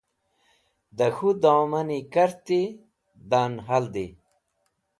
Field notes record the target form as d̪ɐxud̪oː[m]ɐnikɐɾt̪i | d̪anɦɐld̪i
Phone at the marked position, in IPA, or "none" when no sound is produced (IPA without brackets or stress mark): m